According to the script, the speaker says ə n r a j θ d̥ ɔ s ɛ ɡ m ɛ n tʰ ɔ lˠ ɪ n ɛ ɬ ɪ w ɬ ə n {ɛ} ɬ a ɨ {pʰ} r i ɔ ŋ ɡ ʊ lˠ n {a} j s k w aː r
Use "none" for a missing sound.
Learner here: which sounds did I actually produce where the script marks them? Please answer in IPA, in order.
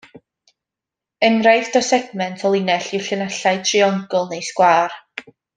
a, tʰ, e

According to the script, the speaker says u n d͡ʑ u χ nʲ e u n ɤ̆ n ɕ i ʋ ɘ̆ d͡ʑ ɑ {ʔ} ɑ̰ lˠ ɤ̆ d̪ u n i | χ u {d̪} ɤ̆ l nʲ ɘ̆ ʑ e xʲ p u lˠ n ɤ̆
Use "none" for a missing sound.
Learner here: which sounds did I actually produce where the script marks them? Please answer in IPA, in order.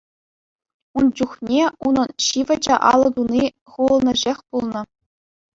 ʔ, none

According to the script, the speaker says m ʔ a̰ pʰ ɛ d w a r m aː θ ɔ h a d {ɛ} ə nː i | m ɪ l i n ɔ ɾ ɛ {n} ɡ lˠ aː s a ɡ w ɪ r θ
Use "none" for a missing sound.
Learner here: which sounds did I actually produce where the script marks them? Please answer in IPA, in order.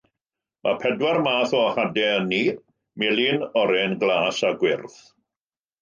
ɛ, n

